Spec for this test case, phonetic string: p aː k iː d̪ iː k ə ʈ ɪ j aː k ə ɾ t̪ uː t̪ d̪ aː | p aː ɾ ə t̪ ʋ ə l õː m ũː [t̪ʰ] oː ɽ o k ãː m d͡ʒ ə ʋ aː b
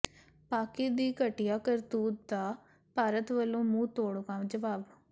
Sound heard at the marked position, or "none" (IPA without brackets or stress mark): t̪